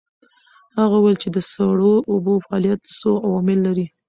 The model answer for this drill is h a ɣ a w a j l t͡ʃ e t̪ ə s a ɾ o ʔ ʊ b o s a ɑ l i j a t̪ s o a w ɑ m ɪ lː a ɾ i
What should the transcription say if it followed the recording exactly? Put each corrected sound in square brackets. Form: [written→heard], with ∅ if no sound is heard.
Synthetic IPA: h a ɣ a w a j l t͡ʃ e [t̪→d̪] ə s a [ɾ→ɽ] o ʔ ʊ b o [s→f] a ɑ l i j a t̪ s o a w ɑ m ɪ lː a ɾ i

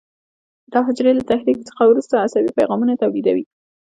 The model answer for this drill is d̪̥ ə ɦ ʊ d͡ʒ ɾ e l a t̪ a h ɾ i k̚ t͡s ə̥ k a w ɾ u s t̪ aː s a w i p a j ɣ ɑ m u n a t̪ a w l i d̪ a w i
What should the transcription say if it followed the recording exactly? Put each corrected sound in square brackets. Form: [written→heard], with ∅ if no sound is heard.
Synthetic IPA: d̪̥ [ə→ɑ] ɦ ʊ d͡ʒ ɾ e l a t̪ a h ɾ i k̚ t͡s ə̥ [k→x] a w ɾ u s t̪ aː s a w i p a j ɣ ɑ m u n a t̪ a w l i d̪ a w i

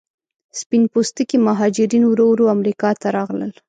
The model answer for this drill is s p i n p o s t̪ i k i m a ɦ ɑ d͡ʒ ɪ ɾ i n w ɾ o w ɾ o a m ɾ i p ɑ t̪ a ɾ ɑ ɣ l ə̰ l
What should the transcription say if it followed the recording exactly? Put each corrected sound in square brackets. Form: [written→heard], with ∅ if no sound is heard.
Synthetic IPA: s p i n p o s t̪ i k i m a ɦ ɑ d͡ʒ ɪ ɾ i n w ɾ o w ɾ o a m ɾ i [p→k] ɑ t̪ a ɾ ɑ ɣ l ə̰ l

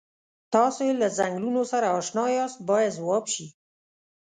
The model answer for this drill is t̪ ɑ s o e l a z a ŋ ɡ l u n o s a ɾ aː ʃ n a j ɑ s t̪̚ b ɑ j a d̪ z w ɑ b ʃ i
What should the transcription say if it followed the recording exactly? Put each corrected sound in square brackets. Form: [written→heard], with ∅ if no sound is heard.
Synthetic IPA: t̪ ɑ s o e l a z a ŋ ɡ l u n o s a ɾ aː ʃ n [a→ɑ] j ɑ s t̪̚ b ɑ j a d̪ z w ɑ b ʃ i

